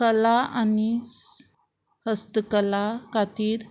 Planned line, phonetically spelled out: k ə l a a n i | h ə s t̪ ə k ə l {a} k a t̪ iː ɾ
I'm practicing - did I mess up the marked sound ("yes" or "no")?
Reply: no